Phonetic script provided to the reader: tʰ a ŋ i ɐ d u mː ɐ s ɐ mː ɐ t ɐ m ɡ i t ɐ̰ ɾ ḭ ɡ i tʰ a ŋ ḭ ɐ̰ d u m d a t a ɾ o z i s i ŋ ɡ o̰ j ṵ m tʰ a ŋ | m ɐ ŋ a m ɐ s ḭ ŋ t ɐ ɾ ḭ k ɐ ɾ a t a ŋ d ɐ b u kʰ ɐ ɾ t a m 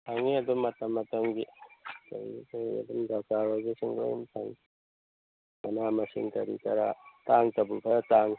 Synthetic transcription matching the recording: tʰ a ŋ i ɐ d u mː ɐ t ɐ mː ɐ t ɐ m ɡ i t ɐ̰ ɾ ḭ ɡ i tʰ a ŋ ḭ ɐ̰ d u m d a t a ɾ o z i s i ŋ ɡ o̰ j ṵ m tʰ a ŋ | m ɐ n a m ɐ s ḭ ŋ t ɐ ɾ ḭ k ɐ ɾ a t a ŋ t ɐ b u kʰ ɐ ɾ t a ŋ